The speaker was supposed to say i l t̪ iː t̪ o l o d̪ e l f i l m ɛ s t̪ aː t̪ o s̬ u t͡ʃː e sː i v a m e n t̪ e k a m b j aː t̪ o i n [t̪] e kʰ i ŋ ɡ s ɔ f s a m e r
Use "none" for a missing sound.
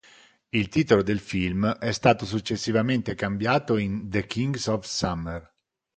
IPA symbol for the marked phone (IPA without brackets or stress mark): d̪